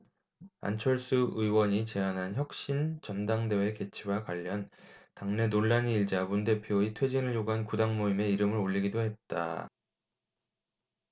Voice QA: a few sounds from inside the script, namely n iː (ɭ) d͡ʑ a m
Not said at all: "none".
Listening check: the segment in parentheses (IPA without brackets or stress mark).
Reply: ɭ